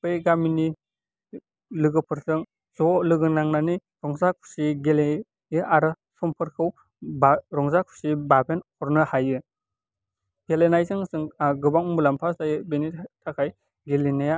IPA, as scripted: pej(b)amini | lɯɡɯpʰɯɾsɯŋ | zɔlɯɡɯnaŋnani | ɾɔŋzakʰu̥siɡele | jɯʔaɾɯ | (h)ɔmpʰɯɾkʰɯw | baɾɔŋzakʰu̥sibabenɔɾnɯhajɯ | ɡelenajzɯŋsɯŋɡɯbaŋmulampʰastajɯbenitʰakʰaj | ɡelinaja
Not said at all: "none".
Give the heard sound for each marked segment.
ɡ, s

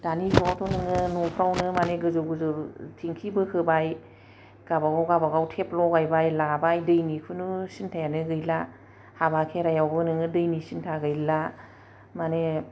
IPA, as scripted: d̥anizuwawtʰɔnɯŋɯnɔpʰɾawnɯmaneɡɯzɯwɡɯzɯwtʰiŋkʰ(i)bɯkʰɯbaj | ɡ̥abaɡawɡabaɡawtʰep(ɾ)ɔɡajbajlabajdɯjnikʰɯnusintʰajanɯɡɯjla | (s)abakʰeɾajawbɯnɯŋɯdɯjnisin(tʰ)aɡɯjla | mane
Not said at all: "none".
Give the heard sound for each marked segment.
i, l, h, tʰ

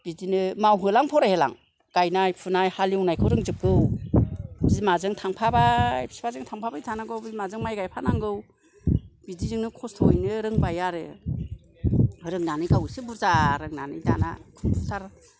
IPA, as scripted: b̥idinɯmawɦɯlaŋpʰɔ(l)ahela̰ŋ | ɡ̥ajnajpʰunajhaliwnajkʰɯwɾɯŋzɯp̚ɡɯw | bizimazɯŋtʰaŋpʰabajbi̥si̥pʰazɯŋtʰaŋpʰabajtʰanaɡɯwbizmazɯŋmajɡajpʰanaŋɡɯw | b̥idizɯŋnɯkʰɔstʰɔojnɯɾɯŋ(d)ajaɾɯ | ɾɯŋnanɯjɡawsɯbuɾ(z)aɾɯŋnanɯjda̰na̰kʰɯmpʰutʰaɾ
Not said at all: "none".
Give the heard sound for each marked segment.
ɾ, b, z

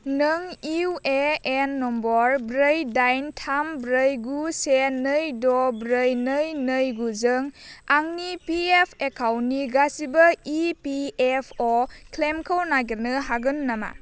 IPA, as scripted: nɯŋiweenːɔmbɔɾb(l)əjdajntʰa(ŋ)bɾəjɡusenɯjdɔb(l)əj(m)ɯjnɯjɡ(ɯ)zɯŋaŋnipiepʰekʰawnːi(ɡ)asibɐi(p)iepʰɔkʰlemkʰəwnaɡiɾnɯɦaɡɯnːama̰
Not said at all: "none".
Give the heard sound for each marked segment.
ɾ, m, ɾ, n, u, ɡ, p

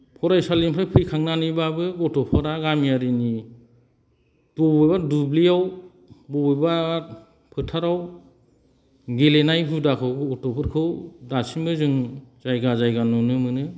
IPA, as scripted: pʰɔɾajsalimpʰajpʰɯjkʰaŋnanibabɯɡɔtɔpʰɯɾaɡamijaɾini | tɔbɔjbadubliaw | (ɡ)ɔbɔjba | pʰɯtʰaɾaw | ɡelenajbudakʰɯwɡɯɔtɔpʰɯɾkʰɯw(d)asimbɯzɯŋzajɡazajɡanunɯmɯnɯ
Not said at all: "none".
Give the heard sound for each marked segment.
b, d

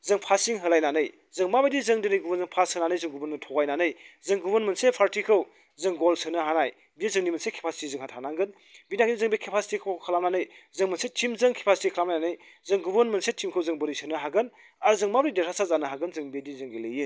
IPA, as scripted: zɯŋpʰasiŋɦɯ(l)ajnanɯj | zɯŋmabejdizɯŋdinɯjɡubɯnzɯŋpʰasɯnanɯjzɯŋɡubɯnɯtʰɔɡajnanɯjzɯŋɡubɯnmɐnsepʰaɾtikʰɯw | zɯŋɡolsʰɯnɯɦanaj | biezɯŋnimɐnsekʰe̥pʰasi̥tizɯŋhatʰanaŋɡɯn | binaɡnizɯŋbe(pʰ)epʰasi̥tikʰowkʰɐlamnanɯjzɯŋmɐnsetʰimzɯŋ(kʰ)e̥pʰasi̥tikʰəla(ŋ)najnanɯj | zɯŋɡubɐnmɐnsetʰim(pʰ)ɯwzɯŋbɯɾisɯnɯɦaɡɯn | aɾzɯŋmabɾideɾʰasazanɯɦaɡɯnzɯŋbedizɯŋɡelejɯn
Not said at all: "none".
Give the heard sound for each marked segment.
l, kʰ, kʰ, m, kʰ

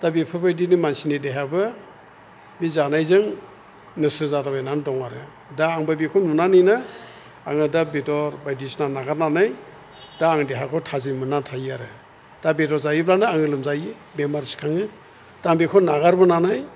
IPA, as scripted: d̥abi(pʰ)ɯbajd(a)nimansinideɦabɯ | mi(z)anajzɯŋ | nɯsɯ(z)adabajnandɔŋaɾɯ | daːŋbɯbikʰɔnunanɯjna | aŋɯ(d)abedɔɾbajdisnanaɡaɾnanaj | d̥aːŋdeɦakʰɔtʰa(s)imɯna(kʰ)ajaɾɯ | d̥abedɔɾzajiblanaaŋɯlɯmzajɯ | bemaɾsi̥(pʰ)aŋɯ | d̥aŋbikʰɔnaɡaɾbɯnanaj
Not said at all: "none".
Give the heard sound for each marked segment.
pʰ, i, z, z, d, z, tʰ, kʰ

